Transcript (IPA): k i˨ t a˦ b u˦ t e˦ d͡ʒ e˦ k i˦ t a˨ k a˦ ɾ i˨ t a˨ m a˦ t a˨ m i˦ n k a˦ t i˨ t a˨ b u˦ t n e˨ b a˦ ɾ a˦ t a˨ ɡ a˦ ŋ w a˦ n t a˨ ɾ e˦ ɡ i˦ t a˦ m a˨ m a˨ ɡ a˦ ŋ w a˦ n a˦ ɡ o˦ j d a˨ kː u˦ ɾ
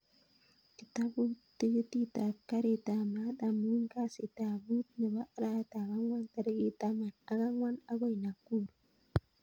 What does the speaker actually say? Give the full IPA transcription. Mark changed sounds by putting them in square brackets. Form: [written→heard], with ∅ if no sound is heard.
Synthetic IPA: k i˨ t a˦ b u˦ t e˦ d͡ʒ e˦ [k→t] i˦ t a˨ k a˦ ɾ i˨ t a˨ m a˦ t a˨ m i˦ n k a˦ [t→s] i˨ t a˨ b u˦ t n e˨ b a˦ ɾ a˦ t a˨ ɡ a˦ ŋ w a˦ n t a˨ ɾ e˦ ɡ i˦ t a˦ m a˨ [m→n] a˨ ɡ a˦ ŋ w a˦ n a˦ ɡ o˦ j [d→n] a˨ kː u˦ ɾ

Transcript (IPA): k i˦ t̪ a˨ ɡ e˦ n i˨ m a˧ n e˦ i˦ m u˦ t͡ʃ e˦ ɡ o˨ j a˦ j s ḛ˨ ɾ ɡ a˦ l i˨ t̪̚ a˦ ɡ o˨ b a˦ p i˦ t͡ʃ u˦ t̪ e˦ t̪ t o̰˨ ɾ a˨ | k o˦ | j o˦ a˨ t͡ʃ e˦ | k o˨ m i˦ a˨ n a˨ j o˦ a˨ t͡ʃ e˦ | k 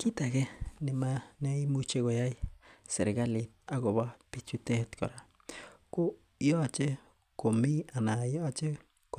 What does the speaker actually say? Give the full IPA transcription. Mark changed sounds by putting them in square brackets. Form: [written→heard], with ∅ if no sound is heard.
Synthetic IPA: k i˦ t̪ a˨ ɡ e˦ n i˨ m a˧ n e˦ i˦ m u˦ t͡ʃ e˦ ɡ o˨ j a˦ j s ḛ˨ ɾ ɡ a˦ l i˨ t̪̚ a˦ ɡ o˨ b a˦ p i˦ t͡ʃ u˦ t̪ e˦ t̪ [t→k] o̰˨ ɾ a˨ | k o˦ | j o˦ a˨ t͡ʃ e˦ | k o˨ m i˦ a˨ n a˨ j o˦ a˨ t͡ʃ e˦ | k

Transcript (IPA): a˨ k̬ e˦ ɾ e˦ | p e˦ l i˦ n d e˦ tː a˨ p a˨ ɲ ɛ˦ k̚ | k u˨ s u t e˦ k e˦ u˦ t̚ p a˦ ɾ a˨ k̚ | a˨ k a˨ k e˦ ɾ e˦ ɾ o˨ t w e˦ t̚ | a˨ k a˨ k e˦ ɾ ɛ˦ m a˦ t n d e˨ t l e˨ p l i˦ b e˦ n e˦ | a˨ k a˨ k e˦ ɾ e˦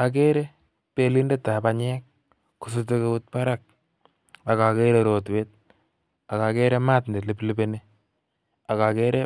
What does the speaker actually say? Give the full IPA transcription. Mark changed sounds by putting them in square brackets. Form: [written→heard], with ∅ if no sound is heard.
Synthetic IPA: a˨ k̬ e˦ ɾ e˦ | p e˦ l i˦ n d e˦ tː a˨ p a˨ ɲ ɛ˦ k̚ | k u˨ s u t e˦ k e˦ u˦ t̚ p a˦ ɾ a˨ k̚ | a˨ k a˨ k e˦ ɾ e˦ ɾ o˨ t w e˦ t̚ | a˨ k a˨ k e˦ ɾ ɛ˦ m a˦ t n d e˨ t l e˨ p l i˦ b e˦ n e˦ | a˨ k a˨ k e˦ ɾ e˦

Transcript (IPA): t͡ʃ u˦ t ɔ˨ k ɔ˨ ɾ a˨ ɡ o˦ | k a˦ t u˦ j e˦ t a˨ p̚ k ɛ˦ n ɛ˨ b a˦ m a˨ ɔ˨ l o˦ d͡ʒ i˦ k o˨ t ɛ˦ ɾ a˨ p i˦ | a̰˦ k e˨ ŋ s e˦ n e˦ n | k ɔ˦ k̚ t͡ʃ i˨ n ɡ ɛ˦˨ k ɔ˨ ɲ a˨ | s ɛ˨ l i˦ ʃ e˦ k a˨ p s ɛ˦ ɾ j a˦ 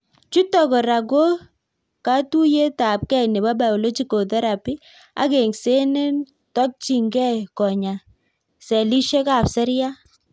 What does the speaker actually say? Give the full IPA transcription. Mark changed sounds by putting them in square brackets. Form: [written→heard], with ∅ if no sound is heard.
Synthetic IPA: t͡ʃ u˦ t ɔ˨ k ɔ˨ ɾ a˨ ɡ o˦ | k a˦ t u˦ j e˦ t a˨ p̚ k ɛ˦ n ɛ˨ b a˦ [m→b] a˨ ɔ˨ l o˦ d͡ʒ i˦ k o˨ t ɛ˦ ɾ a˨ p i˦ | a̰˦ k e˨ ŋ s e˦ n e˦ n | [k→t] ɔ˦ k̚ t͡ʃ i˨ [n→ŋ] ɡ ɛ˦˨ k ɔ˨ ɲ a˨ | s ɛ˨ l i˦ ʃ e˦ k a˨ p s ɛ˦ ɾ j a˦

